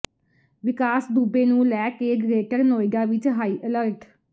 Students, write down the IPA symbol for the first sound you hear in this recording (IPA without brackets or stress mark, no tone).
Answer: ʋ